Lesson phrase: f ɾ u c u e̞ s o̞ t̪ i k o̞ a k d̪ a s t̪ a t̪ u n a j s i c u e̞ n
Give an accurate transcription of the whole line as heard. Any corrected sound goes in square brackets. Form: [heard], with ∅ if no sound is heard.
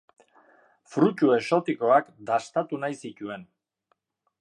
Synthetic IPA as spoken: f ɾ u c u e̞ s o̞ t̪ i k o̞ a k d̪ a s t̪ a t̪ u n a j s i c u e̞ n